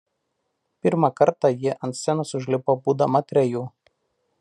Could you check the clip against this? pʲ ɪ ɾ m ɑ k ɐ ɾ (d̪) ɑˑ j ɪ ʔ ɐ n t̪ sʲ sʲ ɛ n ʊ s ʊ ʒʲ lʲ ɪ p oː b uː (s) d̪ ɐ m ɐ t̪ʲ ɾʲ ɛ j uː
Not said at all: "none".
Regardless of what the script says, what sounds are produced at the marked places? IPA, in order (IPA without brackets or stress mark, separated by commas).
t̪, none